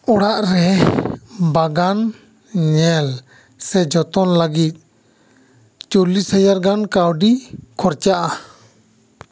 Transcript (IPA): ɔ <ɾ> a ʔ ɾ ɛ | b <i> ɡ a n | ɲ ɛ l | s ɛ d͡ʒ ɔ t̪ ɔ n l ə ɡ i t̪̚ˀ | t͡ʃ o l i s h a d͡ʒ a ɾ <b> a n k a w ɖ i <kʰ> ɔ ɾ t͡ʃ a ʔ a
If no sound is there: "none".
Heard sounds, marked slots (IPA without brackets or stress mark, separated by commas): ɽ, a, ɡ, kʰ